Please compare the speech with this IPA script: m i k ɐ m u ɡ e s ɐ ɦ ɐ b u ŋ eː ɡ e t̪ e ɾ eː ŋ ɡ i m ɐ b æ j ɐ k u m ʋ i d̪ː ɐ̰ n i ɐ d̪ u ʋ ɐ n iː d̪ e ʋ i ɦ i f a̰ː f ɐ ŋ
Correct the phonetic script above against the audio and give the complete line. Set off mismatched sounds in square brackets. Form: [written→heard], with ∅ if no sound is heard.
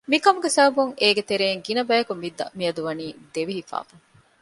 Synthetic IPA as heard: m i k ɐ m u ɡ e s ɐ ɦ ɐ b u ŋ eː ɡ e t̪ e ɾ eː ŋ ɡ i [m→n] ɐ b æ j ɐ k u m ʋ i d̪ː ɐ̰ [n→m] i ɐ d̪ u ʋ ɐ n iː d̪ e ʋ i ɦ i f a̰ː f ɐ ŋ